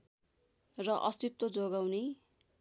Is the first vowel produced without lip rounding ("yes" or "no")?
yes